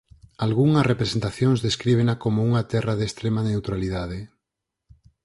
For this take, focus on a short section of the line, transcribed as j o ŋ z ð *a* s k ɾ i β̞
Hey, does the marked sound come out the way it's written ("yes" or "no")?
no